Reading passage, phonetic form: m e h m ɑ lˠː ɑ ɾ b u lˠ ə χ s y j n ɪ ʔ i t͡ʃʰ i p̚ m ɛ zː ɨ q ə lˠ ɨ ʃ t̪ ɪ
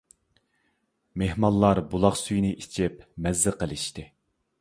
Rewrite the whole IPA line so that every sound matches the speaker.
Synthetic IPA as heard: m e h m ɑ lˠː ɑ ɾ b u lˠ ɑ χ s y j n ɪ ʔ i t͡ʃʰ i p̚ m ɛ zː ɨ q ə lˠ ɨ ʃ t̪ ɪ